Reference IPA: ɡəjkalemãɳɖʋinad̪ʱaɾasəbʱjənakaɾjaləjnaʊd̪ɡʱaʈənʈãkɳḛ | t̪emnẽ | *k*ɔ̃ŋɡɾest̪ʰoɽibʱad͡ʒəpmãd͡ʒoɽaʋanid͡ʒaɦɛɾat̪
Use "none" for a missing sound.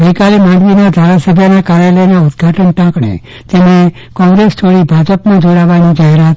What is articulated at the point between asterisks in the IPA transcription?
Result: k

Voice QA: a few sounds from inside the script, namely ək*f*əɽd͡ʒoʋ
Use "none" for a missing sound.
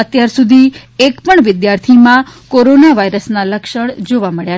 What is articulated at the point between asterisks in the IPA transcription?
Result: ʃ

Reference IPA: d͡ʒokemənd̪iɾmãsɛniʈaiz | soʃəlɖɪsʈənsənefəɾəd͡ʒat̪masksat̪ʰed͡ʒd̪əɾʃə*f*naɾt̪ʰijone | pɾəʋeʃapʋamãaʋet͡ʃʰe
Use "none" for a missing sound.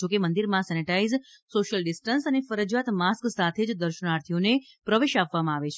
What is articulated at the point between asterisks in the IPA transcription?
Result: none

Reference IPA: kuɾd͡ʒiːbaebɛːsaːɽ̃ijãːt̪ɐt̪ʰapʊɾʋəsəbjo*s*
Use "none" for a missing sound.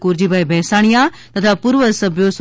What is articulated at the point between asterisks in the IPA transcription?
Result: s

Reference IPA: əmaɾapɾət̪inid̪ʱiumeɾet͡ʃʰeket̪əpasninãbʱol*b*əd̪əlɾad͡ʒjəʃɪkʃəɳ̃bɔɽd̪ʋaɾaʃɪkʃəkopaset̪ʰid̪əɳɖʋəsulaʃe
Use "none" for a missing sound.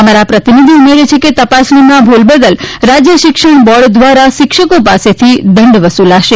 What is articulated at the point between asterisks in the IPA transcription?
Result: b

